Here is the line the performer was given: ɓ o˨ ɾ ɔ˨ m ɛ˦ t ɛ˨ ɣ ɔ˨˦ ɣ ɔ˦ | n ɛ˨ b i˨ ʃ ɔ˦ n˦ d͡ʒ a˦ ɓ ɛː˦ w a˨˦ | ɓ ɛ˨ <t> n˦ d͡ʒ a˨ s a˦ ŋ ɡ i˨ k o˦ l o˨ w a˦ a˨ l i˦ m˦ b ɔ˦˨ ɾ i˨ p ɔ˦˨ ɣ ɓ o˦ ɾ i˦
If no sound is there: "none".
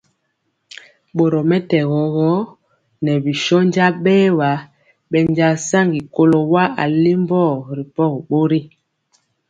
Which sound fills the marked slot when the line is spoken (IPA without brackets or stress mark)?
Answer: none